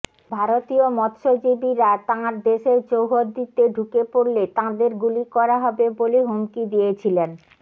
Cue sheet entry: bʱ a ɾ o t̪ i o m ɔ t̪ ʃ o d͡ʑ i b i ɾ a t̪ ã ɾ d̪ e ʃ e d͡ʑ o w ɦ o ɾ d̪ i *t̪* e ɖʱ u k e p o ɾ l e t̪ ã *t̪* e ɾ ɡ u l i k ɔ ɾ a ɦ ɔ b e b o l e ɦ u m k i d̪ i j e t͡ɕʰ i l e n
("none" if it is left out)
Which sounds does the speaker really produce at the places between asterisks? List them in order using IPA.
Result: t̪, d̪

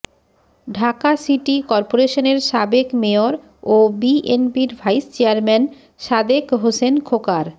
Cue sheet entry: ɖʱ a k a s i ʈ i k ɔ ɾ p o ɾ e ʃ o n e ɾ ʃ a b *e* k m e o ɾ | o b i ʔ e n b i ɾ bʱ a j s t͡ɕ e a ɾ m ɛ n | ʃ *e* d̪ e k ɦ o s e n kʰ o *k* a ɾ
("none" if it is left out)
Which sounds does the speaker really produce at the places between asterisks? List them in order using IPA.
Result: e, a, k

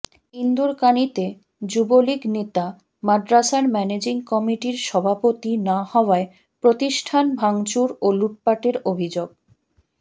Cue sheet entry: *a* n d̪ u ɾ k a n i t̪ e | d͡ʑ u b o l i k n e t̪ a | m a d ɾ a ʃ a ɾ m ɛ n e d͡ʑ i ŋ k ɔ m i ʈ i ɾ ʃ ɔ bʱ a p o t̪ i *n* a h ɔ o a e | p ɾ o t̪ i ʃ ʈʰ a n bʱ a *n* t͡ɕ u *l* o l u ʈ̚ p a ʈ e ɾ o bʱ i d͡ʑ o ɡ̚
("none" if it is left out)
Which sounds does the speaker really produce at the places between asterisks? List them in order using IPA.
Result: i, n, ŋ, ɾ

